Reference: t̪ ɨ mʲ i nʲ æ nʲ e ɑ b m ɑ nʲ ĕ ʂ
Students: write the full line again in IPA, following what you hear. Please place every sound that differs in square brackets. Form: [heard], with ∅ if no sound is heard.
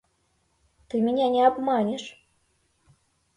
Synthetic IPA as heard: t̪ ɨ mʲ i nʲ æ nʲ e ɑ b m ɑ nʲ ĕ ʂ

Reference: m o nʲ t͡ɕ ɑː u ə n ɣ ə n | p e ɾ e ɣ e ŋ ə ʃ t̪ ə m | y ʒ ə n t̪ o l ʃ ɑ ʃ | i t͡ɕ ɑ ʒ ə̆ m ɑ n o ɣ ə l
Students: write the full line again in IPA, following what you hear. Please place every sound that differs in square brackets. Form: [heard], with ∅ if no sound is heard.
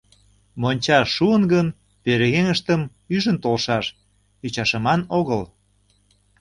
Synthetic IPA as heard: m o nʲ t͡ɕ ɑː u ə n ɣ ə n | p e ɾ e ɣ e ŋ ə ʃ t̪ ə m | y ʒ ə n t̪ o l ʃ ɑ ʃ | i t͡ɕ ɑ [ʃ] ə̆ m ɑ n o ɣ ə l

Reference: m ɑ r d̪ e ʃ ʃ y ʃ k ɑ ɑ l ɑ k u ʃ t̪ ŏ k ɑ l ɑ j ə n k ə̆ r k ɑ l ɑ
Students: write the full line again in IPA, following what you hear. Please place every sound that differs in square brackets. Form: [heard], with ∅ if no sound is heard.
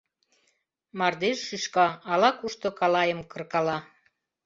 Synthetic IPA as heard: m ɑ r d̪ e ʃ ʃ y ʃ k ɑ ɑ l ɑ k u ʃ t̪ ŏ k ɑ l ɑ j ə [m] k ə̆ r k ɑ l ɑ

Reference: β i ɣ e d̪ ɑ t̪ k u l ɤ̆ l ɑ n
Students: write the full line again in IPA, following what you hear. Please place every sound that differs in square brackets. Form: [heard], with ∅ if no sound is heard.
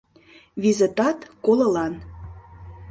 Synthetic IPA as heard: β i [z] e [t̪] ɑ t̪ k [o] l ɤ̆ l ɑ n

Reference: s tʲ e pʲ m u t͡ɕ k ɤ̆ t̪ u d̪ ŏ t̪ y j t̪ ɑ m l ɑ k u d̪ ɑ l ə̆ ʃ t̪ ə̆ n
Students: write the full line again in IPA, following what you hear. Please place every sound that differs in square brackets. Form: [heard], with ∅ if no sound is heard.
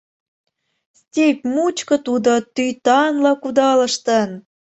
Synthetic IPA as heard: s tʲ e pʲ m u t͡ɕ k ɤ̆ t̪ u d̪ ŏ t̪ y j t̪ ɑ [n] l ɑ k u d̪ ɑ l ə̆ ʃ t̪ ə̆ n

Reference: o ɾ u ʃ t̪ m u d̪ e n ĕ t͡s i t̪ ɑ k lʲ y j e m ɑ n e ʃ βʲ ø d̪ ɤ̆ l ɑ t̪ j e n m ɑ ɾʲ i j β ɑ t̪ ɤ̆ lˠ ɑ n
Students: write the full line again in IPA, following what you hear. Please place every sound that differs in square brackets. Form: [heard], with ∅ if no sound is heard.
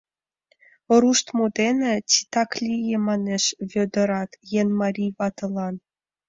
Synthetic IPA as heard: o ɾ u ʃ t̪ m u d̪ e n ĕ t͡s i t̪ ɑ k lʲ [i] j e m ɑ n e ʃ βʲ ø d̪ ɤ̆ [ɾ] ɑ t̪ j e n m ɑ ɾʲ i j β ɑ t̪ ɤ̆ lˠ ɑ n

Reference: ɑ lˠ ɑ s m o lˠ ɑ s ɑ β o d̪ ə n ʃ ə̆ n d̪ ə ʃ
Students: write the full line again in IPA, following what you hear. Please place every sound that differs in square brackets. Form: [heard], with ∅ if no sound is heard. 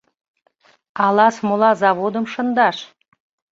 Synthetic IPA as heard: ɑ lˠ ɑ s m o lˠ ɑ [z] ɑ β o d̪ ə [m] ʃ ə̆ n d̪ [ɑ] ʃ

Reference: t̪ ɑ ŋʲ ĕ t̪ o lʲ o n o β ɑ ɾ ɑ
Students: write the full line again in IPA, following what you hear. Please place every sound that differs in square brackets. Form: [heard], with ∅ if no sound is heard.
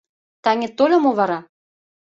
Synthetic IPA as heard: t̪ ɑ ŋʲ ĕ t̪ o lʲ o [m] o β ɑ ɾ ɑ

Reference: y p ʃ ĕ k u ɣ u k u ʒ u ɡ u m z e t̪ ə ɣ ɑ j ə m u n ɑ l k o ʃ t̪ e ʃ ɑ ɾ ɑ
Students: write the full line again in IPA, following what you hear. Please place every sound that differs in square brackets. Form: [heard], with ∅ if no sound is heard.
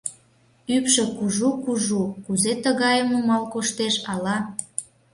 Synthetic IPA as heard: y p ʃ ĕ k u [ʒ] u k u ʒ u [k] u [∅] z e t̪ ə ɣ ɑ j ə m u [m] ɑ l k o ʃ t̪ e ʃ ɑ [l] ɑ

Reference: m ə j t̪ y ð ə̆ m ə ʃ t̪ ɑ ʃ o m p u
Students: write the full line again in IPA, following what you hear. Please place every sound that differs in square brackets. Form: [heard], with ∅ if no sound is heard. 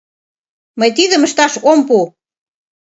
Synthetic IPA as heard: m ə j t̪ [i] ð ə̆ m ə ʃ t̪ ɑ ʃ o m p u

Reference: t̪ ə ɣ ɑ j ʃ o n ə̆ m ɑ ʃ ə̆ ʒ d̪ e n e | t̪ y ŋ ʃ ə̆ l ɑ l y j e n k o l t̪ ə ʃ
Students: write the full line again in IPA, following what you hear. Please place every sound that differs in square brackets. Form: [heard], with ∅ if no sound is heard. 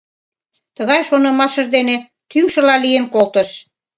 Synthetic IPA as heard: t̪ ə ɣ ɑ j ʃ o n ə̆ m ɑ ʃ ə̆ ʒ d̪ e n e | t̪ y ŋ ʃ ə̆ l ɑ l [i] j e n k o l t̪ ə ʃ

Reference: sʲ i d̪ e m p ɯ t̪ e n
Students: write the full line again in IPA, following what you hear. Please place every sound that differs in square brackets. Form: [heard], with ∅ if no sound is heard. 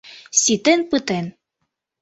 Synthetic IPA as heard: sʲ i [t̪] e [n] p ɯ t̪ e n

